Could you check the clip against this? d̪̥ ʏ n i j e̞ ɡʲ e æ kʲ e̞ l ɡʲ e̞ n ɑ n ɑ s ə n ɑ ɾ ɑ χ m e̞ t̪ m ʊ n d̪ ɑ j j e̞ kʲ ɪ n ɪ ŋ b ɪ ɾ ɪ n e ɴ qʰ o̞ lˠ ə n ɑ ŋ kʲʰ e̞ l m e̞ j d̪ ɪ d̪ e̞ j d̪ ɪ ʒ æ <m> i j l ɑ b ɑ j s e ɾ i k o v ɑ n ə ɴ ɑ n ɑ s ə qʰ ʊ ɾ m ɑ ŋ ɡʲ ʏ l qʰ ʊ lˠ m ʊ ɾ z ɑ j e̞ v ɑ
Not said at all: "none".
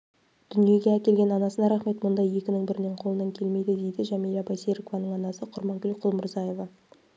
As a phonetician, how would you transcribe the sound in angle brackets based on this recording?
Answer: m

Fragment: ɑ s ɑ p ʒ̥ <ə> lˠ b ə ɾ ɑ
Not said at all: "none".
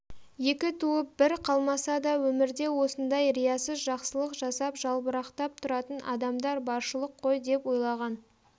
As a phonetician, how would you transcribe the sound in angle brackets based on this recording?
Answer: ɑ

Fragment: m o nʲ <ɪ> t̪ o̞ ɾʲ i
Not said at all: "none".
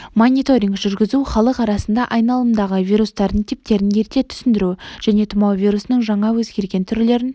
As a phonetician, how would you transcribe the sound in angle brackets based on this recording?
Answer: i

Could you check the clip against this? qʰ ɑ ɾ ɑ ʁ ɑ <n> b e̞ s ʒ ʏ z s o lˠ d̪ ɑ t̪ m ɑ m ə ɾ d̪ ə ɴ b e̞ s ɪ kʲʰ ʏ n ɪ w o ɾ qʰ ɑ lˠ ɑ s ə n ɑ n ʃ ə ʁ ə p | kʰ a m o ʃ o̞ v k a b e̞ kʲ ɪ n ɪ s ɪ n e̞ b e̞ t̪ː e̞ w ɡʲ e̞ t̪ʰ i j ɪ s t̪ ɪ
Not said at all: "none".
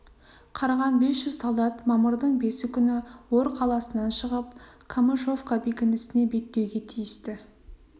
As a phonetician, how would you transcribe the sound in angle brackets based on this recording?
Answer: n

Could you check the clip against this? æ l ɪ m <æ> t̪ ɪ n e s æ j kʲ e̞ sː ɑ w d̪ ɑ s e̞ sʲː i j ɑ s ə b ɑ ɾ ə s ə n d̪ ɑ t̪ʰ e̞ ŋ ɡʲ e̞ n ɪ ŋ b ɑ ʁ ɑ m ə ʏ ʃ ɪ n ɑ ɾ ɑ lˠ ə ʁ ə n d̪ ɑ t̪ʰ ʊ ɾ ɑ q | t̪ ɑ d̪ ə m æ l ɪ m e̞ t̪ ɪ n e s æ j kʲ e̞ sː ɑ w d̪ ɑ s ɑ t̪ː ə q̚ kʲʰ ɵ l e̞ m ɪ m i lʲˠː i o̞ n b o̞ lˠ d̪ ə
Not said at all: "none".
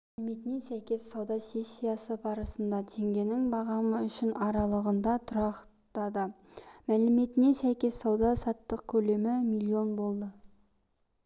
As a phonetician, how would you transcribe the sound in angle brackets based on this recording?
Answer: e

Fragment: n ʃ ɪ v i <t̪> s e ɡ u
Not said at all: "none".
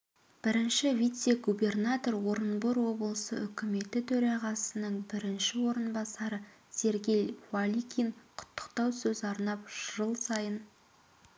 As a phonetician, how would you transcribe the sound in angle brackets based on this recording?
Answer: t̪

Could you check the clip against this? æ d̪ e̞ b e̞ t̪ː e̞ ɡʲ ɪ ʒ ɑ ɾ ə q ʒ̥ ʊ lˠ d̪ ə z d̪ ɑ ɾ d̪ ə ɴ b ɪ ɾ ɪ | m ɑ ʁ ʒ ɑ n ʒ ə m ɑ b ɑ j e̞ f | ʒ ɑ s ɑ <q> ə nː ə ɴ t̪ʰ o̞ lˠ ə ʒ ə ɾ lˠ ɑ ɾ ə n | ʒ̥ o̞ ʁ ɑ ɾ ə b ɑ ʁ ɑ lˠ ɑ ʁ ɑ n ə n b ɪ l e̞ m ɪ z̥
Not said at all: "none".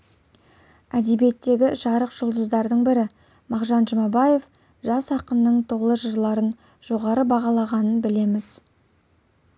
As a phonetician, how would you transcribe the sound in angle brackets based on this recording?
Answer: q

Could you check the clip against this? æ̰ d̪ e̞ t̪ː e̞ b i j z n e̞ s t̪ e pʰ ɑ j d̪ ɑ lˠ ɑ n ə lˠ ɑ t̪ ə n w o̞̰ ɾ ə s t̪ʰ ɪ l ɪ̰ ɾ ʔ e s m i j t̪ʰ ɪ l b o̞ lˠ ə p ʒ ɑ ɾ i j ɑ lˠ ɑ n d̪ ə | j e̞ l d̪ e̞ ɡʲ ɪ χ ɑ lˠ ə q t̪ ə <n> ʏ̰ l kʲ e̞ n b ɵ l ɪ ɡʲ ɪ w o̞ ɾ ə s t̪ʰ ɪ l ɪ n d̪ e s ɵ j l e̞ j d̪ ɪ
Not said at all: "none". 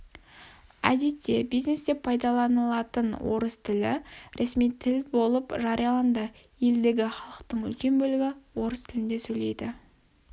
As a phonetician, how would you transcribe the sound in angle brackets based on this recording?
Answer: ɴ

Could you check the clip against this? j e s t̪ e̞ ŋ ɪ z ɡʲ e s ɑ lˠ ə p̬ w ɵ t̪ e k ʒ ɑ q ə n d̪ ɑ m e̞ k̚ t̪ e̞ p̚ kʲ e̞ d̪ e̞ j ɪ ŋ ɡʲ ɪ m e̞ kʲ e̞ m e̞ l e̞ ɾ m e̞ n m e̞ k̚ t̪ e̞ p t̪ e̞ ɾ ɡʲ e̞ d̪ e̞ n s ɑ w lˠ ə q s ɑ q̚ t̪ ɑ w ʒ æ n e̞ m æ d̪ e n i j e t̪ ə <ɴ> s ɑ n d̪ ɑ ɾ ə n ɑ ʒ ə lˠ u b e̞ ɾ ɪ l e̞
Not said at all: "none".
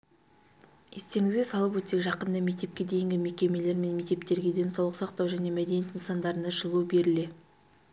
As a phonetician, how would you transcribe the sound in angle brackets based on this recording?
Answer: n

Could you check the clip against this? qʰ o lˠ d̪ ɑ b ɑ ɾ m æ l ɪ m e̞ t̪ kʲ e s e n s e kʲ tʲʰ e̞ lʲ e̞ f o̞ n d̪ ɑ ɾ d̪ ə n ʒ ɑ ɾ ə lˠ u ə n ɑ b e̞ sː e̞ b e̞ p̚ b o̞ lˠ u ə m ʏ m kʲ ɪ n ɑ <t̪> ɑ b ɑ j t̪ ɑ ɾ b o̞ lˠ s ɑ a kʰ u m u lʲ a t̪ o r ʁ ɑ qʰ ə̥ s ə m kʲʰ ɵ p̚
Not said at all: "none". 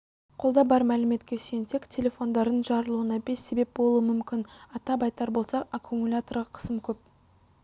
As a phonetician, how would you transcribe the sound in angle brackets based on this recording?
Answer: t̪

